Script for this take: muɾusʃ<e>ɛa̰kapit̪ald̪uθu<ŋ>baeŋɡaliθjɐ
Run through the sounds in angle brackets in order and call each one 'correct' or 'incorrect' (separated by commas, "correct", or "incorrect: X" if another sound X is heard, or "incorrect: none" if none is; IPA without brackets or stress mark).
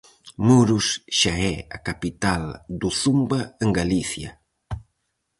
incorrect: a, incorrect: m